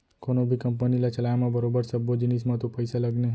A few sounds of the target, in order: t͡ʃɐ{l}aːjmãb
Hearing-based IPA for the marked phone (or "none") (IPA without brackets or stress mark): l